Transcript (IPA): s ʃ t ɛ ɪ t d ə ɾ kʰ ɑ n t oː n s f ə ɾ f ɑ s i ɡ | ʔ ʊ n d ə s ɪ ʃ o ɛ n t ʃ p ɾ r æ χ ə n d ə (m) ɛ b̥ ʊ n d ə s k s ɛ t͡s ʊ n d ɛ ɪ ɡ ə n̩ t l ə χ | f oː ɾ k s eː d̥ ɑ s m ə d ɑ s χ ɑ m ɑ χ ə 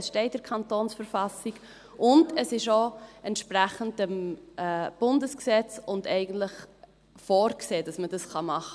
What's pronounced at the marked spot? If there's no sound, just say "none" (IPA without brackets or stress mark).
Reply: m